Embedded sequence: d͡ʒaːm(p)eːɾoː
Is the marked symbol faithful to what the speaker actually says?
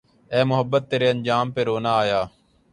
yes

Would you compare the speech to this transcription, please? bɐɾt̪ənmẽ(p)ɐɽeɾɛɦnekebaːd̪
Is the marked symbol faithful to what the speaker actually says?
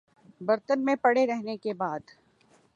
yes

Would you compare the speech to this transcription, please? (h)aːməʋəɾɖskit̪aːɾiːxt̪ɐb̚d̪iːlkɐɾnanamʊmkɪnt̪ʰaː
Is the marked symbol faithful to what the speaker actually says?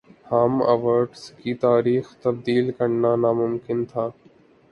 yes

